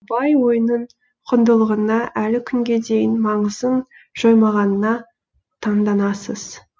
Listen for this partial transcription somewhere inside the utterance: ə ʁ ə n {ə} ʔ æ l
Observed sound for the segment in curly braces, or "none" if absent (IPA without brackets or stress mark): ɑ